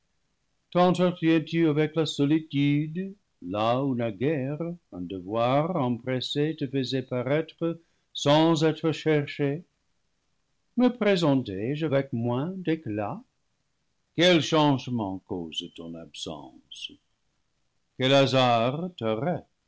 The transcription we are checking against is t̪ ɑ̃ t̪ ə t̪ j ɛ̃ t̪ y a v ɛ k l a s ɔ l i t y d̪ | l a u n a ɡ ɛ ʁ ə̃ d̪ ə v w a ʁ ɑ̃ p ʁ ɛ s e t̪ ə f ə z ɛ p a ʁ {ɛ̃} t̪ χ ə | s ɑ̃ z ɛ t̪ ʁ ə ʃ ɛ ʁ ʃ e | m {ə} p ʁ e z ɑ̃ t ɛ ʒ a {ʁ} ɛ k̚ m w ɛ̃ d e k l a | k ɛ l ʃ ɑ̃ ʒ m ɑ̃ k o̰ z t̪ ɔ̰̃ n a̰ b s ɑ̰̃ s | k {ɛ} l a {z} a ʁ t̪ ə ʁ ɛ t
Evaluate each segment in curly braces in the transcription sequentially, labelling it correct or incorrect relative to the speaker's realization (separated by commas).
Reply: incorrect, correct, incorrect, correct, correct